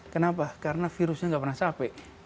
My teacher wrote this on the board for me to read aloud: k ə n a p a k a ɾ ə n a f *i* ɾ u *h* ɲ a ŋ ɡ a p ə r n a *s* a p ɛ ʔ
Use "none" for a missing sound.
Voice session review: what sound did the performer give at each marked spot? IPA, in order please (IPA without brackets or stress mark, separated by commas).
i, s, s